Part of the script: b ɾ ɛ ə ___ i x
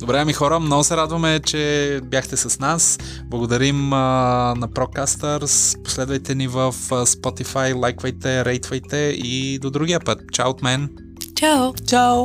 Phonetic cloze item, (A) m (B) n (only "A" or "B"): A